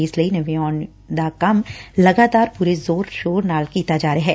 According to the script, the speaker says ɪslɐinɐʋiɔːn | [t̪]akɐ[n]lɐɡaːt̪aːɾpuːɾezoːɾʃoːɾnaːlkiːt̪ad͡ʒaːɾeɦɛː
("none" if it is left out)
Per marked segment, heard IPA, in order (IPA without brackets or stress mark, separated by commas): d̪, m